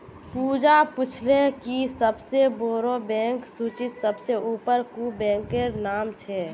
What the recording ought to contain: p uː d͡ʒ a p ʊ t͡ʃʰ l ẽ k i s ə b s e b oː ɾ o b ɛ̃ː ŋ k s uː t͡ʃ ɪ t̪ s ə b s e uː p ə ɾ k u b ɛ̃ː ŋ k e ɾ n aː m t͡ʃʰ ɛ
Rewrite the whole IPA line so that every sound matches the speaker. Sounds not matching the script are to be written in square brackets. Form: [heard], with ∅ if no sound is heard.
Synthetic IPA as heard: p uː d͡ʒ a p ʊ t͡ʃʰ l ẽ k i s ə b s e b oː ɾ o b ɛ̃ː ŋ k s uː t͡ʃ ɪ t̪ s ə b s e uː p ə ɾ k u b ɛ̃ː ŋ k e ɾ n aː m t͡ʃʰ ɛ